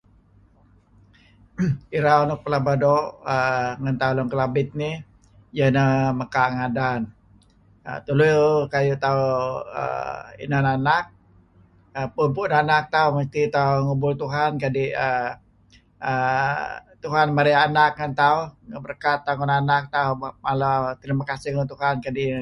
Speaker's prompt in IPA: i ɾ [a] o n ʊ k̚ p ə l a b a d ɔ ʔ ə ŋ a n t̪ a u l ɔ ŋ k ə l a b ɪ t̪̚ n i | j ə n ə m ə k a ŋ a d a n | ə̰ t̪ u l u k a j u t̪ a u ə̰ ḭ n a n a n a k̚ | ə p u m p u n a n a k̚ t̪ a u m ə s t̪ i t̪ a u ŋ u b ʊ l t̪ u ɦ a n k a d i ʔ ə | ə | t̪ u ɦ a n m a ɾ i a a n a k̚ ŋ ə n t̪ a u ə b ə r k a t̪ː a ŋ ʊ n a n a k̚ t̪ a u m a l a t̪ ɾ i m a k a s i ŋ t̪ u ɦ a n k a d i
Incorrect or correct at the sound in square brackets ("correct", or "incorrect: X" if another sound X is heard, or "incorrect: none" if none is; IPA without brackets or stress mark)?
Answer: correct